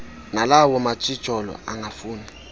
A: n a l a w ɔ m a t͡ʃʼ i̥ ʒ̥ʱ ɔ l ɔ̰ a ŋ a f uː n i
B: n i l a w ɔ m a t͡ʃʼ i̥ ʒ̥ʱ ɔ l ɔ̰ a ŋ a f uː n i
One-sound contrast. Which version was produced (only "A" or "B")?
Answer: A